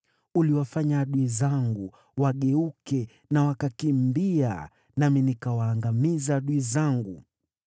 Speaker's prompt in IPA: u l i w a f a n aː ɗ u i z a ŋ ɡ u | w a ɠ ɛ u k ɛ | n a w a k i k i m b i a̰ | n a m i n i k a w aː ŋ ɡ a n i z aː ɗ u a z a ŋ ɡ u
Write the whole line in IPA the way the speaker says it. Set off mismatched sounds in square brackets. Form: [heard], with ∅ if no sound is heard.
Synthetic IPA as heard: u l i w a f a [ɲ] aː ɗ u i z a ŋ ɡ u | w a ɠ ɛ u k ɛ | n a w a k [a] k i m b i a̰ | n a m i n i k a w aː ŋ ɡ a [m] i z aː ɗ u [i] z a ŋ ɡ u